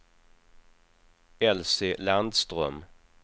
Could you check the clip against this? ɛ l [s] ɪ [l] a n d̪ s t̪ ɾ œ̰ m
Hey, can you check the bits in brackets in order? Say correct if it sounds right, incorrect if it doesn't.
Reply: correct, correct

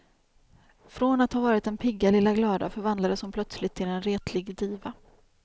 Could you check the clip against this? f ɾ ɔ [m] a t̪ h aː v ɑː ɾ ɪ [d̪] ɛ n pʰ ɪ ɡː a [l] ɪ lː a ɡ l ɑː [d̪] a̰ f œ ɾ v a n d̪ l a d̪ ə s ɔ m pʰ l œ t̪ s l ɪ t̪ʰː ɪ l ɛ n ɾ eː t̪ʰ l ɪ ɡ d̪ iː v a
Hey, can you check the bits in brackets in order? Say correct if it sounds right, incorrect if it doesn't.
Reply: incorrect: n, incorrect: t̪, correct, correct

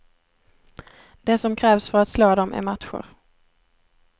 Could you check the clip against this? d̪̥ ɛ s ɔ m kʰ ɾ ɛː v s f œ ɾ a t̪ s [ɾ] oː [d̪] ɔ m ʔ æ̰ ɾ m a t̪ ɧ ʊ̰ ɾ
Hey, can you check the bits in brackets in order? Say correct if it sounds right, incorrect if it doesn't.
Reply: incorrect: l, correct

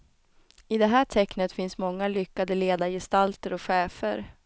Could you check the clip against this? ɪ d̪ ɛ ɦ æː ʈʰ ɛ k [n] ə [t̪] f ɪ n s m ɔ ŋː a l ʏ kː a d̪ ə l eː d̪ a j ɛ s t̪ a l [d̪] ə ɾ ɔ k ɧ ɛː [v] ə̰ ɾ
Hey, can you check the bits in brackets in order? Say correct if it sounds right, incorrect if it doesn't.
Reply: correct, correct, incorrect: t̪, incorrect: f

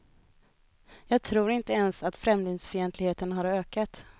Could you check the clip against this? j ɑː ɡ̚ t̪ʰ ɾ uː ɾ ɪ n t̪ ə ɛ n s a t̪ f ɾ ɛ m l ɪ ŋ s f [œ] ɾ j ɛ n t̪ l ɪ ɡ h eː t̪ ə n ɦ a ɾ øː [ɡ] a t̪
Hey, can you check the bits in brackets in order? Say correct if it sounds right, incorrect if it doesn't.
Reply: correct, incorrect: k

